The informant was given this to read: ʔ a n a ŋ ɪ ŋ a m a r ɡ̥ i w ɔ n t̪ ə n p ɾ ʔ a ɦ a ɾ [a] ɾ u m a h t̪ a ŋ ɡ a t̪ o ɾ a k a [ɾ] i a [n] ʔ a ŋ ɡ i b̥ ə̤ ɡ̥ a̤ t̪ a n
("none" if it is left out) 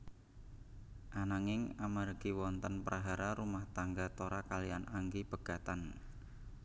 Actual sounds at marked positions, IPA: a, l, n

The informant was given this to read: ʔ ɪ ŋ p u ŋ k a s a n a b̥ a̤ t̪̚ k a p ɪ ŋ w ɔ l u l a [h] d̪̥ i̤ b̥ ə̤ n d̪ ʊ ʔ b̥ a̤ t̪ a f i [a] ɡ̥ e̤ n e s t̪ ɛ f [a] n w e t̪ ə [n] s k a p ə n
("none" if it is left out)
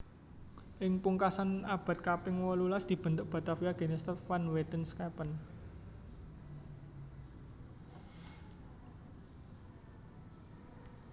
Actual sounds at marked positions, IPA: s, a, a, n

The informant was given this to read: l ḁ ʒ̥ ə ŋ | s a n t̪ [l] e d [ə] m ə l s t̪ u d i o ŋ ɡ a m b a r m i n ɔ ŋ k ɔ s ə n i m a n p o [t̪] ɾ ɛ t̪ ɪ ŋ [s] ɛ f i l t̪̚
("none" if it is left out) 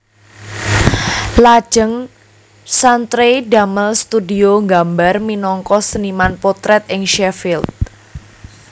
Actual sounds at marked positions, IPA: ɾ, a, t̪, ʃ

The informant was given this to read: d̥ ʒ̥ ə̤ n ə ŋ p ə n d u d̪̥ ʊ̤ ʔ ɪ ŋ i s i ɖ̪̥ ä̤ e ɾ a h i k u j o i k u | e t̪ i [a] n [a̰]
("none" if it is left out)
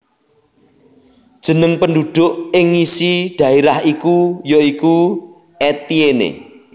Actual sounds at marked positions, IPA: e, ḛ

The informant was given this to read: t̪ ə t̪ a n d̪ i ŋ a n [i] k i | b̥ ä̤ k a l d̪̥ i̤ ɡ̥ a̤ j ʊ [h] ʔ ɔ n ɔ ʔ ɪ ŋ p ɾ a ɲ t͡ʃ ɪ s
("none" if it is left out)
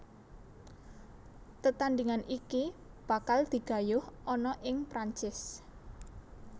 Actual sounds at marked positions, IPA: i, h

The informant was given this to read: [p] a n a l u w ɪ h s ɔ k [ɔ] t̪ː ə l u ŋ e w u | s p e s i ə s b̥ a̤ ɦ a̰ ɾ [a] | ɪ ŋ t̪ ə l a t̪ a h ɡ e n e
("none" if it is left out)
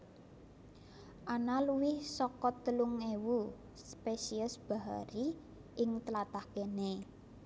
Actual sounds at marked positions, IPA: ʔ, ɔ, i

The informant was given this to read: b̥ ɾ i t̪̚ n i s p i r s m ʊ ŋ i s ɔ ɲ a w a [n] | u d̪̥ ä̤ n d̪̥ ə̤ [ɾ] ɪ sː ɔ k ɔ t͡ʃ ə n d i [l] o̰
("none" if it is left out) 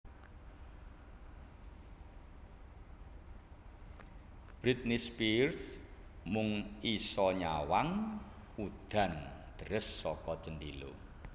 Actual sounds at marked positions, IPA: ŋ, ɾ, l

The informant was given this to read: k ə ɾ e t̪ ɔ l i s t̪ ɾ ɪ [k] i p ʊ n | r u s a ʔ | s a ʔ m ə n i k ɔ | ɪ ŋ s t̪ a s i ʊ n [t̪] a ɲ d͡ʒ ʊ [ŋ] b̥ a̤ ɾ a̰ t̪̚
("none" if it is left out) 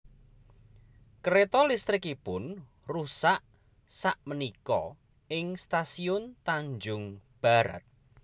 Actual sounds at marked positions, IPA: k, t̪, ŋ

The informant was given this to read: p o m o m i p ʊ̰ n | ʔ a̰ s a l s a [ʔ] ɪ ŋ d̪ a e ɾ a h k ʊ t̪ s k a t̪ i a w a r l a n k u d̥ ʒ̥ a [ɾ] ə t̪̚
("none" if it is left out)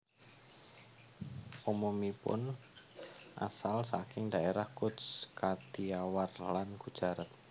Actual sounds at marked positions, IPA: k, ɾ

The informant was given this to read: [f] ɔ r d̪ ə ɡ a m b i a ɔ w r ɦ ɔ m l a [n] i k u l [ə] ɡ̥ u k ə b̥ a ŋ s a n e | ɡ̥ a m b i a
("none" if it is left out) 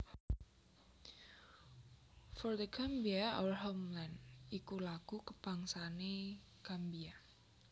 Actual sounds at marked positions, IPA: f, n, a

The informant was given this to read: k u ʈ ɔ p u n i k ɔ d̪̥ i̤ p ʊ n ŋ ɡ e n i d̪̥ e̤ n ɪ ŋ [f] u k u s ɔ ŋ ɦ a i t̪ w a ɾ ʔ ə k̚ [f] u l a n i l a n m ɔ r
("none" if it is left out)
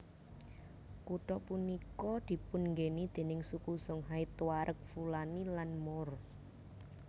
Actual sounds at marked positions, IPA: s, f

